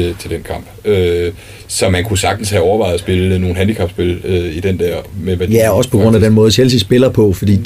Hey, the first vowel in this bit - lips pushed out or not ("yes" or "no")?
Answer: no